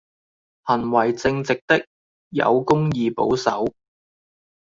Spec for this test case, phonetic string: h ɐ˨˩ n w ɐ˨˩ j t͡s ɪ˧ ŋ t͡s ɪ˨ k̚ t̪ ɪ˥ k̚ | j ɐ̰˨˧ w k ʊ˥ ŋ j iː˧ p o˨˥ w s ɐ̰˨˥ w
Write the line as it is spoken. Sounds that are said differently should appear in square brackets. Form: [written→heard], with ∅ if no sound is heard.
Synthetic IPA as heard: h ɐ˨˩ n w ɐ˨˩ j t͡s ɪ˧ ŋ t͡s ɪ˨ k̚ t̪ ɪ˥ k̚ | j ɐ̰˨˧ w k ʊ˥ ŋ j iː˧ p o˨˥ w s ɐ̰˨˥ w